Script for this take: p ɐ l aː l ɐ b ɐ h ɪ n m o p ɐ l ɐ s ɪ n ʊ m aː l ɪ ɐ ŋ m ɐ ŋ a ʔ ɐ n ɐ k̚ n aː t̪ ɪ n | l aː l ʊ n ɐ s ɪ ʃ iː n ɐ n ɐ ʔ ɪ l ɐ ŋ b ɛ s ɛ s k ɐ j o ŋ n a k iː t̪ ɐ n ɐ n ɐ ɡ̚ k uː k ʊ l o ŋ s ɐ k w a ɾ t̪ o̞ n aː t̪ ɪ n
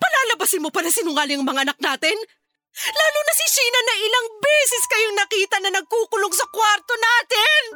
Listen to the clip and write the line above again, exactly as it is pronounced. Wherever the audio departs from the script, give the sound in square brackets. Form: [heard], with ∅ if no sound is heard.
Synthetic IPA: p ɐ l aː l ɐ b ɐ [s] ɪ n m o p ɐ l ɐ s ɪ n ʊ [ŋ] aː l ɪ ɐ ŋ m ɐ ŋ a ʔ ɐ n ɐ k̚ n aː t̪ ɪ n | l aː l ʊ n ɐ s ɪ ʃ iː n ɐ n ɐ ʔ ɪ l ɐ ŋ b ɛ s ɛ s k ɐ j o ŋ n [ɐ] k iː t̪ ɐ n ɐ n ɐ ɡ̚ k uː k ʊ l o ŋ s ɐ k w a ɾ t̪ o̞ n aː t̪ ɪ n